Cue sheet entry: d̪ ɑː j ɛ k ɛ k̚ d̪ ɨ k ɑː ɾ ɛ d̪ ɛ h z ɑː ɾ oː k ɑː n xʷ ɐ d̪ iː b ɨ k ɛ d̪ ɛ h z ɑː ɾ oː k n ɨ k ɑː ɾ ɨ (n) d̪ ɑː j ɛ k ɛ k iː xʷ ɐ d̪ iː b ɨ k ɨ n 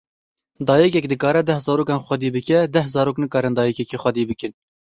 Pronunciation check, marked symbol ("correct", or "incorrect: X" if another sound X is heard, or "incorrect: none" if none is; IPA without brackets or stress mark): correct